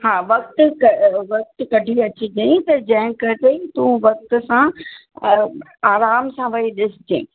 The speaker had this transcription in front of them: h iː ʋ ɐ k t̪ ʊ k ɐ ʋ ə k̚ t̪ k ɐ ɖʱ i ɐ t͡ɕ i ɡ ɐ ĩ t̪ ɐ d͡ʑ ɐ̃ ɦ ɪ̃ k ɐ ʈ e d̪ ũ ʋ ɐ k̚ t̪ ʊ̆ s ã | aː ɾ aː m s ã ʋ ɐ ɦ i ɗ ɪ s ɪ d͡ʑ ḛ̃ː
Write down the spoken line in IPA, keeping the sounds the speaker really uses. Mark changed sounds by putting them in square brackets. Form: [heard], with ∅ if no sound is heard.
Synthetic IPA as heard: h [aː] ʋ ɐ k t̪ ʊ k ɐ ʋ [ɐ] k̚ t̪ k ɐ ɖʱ i ɐ t͡ɕ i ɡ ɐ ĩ t̪ ɐ d͡ʑ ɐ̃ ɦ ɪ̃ k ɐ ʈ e [t̪] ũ ʋ ɐ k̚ t̪ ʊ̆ s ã | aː ɾ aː m s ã ʋ ɐ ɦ i ɗ ɪ s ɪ d͡ʑ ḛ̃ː